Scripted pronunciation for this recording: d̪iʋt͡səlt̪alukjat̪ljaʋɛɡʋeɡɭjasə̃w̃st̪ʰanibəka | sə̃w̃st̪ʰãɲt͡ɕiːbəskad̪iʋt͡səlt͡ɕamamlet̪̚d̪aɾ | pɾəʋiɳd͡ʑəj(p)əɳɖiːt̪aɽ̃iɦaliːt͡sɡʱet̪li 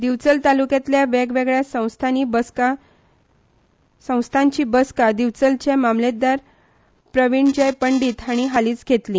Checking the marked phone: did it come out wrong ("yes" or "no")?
no